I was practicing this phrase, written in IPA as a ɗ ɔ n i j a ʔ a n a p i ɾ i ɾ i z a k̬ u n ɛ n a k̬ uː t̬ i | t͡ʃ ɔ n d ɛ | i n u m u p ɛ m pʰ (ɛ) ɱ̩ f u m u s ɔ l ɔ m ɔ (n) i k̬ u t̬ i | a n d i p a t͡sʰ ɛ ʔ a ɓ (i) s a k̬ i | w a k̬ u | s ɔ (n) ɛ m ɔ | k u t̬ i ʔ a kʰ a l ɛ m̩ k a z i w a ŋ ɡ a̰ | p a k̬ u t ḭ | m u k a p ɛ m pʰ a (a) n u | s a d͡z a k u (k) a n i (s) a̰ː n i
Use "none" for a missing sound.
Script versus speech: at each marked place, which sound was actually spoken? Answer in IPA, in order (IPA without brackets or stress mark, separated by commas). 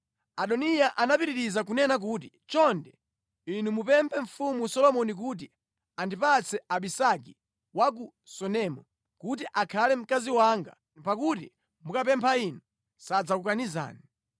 ɛ, n, i, n, i, k, z